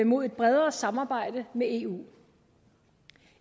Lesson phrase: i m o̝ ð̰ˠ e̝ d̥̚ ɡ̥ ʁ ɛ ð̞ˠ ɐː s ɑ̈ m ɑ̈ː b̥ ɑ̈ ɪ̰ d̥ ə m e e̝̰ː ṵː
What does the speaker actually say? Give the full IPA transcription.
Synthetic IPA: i m o̝ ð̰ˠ e̝ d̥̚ b̥ ʁ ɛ ð̞ˠ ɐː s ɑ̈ m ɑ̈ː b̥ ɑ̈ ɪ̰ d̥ ə m e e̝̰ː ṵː